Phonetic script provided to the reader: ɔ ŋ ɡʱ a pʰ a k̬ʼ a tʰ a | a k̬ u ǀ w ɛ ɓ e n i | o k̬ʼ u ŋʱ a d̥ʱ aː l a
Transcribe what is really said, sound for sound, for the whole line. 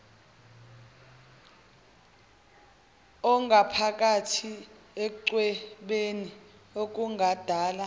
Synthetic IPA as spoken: ɔ ŋ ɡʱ a pʰ a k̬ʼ a tʰ i | e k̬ u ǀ w ɛ ɓ e n i | o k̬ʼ u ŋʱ a d̥ʱ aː l a